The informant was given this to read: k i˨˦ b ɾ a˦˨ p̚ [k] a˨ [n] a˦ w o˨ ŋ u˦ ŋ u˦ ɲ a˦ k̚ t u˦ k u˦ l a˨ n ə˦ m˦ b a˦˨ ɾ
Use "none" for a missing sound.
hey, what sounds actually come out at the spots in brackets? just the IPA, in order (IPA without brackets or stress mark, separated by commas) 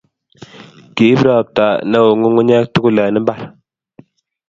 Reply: t, n